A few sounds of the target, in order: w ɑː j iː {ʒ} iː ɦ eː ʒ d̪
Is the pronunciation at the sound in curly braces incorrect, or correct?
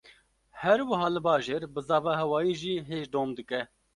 correct